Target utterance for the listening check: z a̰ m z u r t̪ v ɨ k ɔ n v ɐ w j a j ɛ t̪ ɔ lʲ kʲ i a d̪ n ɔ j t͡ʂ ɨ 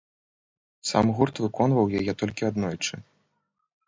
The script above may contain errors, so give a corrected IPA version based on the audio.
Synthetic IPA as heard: s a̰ m ɣ u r t̪ v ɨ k ɔ n v ɐ w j a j ɛ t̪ ɔ lʲ kʲ i a d̪ n ɔ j t͡ʂ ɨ